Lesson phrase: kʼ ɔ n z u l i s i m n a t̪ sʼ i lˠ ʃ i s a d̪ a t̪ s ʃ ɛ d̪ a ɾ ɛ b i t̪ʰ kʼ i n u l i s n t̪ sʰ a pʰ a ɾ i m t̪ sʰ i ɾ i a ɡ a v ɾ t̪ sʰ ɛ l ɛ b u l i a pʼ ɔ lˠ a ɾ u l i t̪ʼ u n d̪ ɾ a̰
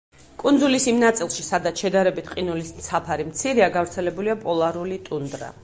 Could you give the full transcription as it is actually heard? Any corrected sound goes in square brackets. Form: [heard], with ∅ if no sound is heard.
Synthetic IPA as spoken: kʼ [u] n z u l i s i m n a t̪ sʼ i lˠ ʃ i s a d̪ a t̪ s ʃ ɛ d̪ a ɾ ɛ b i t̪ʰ [qʼ] i n u l i s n t̪ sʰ a pʰ a ɾ i m t̪ sʰ i ɾ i a ɡ a v ɾ t̪ sʰ ɛ l ɛ b u l i a pʼ ɔ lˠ a ɾ u l i t̪ʼ u n d̪ ɾ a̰